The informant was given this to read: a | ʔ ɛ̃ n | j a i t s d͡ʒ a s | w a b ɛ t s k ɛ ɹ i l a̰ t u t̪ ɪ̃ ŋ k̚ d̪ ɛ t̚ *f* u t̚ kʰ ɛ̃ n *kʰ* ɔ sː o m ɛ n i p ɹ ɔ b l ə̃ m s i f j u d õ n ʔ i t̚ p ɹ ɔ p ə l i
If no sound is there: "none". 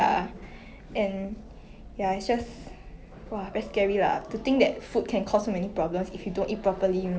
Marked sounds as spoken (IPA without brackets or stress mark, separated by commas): f, kʰ